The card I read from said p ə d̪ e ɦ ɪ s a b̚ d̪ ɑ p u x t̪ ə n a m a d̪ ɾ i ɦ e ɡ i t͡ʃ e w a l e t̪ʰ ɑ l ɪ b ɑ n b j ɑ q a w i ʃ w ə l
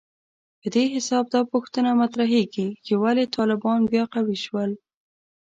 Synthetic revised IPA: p ə d̪ e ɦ ɪ s ɑ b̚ d̪ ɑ p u x t̪ ə n a m a t̪ ɾ a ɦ e ɡ i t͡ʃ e w a l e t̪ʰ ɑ l ɪ b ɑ n b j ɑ q a w i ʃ w ə l